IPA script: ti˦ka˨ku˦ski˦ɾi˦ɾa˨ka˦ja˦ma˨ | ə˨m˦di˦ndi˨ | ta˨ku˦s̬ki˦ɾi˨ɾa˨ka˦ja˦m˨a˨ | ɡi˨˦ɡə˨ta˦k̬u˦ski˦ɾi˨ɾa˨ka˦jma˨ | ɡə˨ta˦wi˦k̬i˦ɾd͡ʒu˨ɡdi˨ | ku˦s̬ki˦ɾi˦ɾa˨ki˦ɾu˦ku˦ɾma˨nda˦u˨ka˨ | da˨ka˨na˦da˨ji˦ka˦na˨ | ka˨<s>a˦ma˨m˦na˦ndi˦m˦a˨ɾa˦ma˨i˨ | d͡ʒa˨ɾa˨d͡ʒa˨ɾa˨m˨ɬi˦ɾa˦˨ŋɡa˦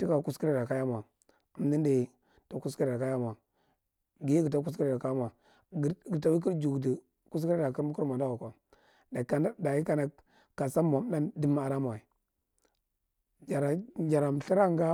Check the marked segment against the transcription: correct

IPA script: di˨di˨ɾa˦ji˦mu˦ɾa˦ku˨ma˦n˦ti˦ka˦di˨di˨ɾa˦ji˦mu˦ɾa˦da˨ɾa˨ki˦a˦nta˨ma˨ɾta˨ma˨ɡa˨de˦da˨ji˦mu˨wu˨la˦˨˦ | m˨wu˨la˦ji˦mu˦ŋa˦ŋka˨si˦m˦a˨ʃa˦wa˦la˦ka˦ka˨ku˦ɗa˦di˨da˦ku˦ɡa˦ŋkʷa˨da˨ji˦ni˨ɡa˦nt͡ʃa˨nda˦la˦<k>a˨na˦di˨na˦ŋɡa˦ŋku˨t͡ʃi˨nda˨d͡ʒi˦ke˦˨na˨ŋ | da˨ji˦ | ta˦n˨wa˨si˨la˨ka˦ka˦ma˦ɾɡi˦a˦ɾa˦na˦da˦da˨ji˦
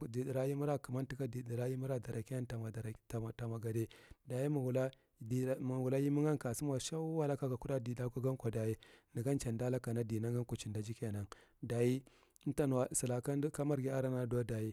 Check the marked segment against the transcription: correct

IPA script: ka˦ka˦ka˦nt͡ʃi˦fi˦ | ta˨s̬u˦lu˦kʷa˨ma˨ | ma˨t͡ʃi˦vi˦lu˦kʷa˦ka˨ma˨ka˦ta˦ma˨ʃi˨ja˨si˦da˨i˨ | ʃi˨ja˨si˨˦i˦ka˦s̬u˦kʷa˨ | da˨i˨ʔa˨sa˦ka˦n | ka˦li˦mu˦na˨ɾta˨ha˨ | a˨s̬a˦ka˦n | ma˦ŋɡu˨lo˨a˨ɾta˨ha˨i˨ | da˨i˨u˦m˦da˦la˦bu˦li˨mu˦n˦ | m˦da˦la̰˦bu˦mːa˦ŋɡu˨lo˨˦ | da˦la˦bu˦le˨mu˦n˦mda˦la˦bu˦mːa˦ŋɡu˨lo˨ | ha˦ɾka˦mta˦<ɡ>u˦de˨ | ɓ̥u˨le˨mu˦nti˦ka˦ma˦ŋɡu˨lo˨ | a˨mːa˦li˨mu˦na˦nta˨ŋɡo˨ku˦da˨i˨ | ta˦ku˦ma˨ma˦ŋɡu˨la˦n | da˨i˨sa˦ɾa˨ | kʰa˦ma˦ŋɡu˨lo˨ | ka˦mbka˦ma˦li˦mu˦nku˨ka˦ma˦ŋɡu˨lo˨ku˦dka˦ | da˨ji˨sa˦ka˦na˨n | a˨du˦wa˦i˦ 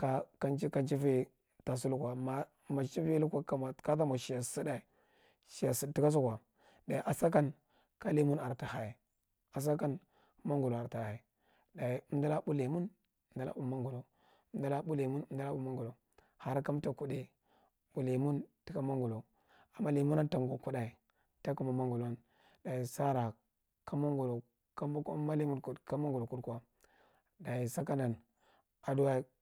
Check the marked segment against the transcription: incorrect: k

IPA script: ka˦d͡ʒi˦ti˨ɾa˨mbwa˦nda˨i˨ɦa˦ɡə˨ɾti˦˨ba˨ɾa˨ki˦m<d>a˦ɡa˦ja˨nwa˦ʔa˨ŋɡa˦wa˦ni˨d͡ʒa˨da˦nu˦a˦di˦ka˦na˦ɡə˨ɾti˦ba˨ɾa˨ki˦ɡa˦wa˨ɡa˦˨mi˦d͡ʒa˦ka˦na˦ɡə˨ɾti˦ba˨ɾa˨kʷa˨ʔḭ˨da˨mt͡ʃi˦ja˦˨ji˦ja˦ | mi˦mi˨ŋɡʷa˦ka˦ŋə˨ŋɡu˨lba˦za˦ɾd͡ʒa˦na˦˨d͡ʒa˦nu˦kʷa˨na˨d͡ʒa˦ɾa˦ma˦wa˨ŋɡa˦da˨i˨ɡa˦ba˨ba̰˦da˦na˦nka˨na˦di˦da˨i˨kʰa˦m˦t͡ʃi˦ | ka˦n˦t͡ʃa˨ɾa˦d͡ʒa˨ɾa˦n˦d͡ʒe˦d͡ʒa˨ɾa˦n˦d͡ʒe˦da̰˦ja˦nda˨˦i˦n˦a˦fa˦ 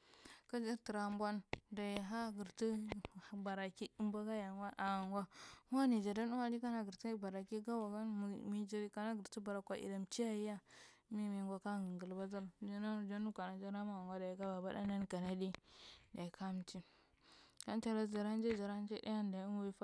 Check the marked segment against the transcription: incorrect: b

